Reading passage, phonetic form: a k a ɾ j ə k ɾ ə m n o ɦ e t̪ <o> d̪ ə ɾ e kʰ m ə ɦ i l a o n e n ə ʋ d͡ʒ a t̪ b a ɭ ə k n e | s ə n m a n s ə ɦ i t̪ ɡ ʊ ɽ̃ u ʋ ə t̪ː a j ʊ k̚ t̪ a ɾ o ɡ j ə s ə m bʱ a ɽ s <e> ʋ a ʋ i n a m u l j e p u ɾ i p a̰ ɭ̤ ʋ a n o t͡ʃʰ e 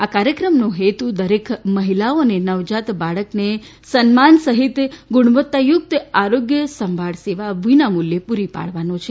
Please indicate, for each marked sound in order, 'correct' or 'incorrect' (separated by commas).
incorrect, correct